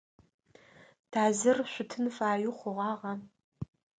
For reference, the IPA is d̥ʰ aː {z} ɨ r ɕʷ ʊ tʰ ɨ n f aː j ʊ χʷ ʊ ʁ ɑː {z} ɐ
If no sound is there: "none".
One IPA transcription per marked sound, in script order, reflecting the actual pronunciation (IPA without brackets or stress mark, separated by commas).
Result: z, ʁ